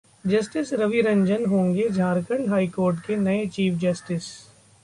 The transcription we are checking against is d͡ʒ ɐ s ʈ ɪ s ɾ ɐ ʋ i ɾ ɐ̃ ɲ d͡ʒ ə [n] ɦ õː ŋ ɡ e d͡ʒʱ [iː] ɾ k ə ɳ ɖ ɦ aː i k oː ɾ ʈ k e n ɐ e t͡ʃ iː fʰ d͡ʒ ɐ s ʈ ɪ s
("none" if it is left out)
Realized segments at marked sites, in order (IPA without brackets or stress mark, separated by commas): n, aː